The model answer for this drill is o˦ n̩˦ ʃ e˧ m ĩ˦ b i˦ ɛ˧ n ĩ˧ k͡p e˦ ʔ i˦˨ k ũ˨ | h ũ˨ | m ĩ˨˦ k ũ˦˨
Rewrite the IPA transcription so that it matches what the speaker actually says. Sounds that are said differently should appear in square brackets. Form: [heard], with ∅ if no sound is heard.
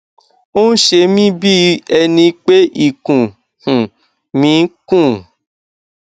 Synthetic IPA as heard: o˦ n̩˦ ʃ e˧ m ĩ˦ b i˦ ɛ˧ n ĩ˧ k͡p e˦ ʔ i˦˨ k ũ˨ | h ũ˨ | m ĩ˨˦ k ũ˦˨

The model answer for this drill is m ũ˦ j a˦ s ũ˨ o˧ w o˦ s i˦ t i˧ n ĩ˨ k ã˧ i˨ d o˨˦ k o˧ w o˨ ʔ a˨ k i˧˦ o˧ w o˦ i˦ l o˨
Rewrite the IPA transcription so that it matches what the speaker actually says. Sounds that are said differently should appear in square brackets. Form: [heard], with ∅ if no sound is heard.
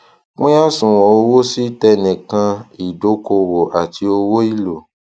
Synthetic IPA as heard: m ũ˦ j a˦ s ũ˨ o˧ w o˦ s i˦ t [ɛ˧] n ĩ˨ k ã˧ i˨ d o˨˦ k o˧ w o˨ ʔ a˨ [t] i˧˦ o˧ w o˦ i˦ l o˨

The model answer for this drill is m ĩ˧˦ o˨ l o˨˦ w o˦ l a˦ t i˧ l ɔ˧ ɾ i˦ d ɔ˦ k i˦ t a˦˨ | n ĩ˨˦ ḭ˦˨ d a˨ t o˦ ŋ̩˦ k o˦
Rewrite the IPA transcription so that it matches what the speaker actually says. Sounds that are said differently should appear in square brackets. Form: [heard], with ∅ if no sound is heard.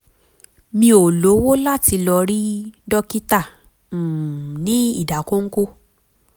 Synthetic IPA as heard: m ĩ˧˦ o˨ l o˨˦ w o˦ l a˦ t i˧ l ɔ˧ ɾ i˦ d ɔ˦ k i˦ t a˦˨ | n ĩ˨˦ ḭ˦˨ d a˨ [k] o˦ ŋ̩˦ k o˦

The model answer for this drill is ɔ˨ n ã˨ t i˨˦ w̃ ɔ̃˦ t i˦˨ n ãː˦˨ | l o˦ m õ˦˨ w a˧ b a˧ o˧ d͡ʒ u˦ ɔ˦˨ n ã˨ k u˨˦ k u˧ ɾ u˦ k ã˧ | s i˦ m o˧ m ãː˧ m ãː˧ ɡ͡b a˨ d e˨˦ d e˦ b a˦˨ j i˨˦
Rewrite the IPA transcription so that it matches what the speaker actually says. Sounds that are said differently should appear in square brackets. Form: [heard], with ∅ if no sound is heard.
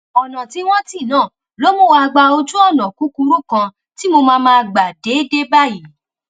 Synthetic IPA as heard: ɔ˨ n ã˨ t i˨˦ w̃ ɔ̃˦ t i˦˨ n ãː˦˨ | l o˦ m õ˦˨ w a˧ [ɡ͡b] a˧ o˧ d͡ʒ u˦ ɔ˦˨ n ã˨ k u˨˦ k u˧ ɾ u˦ k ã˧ | [t] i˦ m o˧ m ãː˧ m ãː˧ ɡ͡b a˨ d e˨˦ d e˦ b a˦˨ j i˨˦

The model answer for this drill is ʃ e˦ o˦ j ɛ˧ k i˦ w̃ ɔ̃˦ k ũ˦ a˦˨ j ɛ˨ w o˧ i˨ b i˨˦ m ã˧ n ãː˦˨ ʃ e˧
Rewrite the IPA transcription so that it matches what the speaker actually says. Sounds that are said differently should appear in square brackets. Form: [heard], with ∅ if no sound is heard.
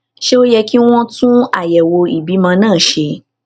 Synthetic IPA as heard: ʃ e˦ o˦ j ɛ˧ k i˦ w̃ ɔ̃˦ [t] ũ˦ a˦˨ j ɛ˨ w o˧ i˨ b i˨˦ m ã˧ n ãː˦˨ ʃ e˧

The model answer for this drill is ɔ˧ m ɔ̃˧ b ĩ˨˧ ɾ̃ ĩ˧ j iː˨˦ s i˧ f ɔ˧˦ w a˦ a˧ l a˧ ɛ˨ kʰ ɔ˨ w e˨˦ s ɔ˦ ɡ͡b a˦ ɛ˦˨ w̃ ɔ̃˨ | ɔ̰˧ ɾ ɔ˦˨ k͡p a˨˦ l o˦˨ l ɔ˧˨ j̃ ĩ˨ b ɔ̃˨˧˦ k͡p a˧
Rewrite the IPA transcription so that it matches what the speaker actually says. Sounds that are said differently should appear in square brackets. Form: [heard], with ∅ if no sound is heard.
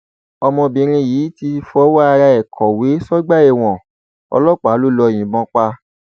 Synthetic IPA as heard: ɔ˧ m ɔ̃˧ b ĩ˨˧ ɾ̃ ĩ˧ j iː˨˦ [t] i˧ f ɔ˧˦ w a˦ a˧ [ɾ] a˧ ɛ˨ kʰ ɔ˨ w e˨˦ s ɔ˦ ɡ͡b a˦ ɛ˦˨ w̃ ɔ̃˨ | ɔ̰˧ [l] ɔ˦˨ k͡p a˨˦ l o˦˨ l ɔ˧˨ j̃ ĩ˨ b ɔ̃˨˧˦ k͡p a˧

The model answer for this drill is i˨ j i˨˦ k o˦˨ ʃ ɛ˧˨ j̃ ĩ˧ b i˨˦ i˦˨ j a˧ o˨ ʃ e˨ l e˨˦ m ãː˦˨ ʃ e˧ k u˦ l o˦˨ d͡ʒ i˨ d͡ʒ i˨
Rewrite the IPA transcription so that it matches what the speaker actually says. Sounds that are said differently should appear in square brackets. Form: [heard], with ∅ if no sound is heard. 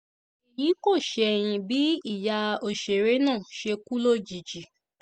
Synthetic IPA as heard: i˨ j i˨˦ k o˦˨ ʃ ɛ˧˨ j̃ ĩ˧ b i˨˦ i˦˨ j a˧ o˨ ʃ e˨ [ɾ] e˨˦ [n] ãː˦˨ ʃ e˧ k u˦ l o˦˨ d͡ʒ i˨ d͡ʒ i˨

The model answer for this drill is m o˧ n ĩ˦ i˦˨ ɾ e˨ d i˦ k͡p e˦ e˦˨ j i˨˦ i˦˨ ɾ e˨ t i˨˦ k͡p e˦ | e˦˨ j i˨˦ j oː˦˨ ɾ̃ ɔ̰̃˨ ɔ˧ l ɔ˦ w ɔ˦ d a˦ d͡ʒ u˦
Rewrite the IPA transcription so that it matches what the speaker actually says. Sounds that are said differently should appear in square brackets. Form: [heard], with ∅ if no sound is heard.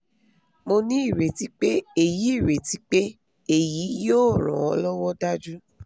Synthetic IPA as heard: m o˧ n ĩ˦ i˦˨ ɾ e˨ [t] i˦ k͡p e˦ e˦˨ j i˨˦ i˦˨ ɾ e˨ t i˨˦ k͡p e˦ | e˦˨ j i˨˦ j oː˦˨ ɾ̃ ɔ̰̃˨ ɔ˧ l ɔ˦ w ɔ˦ d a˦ d͡ʒ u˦

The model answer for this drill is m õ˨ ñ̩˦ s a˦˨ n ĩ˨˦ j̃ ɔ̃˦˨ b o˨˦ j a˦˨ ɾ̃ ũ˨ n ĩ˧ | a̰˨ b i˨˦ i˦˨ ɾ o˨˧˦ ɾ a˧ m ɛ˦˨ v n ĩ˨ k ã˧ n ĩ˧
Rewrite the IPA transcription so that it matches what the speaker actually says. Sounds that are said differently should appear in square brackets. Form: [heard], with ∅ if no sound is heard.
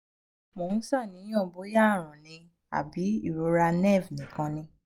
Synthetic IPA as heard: m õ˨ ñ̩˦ s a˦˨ n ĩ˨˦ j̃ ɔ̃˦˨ b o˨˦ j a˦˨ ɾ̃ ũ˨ n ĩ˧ | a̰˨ b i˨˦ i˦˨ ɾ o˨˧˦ ɾ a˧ [n] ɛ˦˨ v n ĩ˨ k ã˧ n ĩ˧

